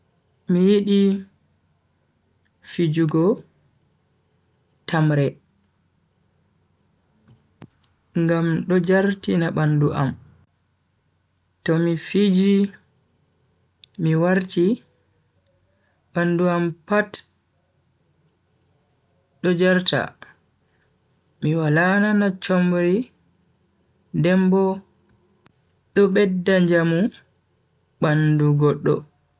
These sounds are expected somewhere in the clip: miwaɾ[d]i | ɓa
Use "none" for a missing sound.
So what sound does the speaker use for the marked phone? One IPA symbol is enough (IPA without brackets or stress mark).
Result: t